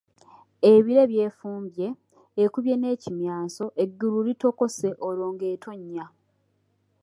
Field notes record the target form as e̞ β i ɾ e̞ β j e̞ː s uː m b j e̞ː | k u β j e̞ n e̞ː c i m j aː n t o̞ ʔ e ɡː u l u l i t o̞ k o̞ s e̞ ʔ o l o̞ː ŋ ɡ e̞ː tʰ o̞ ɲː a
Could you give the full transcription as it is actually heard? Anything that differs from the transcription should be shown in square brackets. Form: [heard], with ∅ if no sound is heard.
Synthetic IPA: e̞ β i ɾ e̞ β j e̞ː [f] uː m b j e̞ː | k u β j e̞ n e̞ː c i m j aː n [s] o̞ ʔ e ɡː u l u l i t o̞ k o̞ s e̞ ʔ o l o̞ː ŋ ɡ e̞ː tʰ o̞ ɲː a